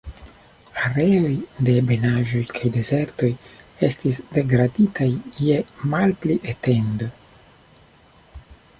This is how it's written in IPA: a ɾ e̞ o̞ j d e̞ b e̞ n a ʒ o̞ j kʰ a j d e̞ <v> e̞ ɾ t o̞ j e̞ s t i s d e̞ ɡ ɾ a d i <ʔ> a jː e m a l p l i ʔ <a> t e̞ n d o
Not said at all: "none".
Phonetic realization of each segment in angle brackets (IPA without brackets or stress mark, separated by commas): z, t, e